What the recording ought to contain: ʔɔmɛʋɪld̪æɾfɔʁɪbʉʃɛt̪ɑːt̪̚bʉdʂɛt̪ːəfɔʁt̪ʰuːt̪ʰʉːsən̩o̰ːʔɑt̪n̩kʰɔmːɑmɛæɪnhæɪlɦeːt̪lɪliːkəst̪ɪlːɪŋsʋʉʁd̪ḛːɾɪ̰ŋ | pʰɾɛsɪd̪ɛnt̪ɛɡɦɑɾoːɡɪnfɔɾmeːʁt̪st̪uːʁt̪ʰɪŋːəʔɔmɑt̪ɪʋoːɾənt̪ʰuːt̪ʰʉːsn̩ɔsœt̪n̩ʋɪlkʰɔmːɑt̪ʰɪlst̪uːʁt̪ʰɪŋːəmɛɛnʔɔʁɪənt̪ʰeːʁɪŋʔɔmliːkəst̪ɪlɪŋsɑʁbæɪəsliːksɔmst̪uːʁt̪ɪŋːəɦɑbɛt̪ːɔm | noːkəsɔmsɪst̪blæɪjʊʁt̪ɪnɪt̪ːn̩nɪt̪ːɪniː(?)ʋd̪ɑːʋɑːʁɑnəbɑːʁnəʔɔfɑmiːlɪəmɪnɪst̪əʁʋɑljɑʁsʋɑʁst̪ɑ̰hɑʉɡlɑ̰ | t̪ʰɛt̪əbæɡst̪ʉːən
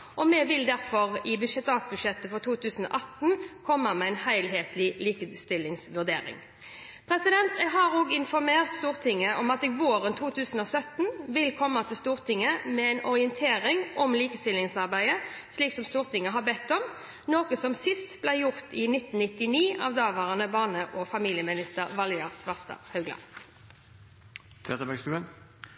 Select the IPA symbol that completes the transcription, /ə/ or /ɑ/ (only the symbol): ɑ